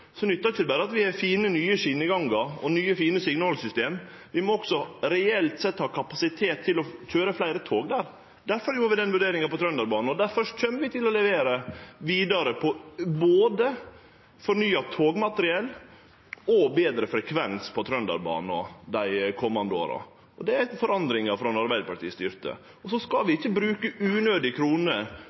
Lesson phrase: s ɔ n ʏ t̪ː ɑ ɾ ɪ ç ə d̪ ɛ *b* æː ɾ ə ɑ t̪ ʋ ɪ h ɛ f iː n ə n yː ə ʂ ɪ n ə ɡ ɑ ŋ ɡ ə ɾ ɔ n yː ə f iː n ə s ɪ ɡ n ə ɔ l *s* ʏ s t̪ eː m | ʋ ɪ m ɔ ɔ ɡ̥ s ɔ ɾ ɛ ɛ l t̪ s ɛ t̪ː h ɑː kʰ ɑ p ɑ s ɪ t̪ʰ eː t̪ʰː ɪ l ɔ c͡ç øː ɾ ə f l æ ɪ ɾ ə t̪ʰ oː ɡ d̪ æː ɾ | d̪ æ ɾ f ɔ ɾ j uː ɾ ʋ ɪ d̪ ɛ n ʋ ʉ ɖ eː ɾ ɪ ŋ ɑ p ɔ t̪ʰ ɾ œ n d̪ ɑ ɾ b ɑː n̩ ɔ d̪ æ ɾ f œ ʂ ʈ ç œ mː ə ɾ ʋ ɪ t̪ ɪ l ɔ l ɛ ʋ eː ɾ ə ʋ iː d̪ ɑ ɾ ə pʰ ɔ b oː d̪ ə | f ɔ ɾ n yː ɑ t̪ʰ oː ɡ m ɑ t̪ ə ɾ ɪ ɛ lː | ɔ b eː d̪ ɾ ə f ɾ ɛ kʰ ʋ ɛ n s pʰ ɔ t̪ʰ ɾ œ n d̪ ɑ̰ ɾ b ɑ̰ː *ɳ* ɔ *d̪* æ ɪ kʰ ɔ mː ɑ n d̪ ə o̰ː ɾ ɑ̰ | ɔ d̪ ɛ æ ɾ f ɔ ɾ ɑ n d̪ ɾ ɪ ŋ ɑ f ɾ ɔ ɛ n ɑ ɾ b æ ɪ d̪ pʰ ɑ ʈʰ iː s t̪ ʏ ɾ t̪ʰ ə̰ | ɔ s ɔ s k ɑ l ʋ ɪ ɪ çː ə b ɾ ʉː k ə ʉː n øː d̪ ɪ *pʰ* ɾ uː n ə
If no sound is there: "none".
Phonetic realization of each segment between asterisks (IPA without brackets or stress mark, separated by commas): b, s, n, d̪, kʰ